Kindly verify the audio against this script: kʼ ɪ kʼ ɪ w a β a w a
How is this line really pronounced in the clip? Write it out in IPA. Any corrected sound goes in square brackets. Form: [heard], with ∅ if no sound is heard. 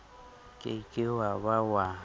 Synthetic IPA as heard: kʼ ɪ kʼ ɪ w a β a w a